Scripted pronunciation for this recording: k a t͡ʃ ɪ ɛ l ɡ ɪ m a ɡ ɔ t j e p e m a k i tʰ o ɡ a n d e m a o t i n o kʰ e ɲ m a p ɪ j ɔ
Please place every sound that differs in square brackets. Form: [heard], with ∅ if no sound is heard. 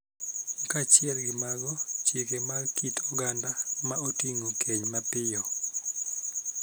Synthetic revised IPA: k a t͡ʃ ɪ ɛ l ɡ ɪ m a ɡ ɔ [t͡ʃ] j e [k] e m a k i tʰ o ɡ a n d [a] m a o t i [ŋ] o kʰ e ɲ m a p ɪ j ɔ